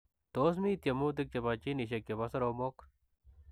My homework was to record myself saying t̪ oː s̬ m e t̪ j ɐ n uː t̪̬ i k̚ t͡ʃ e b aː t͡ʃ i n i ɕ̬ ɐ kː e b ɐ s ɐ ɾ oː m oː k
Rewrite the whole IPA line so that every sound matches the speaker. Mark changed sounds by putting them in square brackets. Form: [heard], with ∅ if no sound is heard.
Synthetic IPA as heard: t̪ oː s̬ m [i] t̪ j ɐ [m] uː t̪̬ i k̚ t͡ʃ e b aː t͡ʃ i n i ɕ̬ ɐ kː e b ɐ s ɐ ɾ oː m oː k